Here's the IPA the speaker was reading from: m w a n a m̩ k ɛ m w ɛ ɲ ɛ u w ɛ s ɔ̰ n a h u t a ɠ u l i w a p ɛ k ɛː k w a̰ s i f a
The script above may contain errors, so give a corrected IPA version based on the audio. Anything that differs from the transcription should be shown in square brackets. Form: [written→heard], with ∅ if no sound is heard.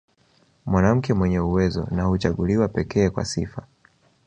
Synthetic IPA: m w a n a m̩ k ɛ m w ɛ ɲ ɛ u w ɛ [s→z] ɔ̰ n a h u [t→t͡ʃ] a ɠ u l i w a p ɛ k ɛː k w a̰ s i f a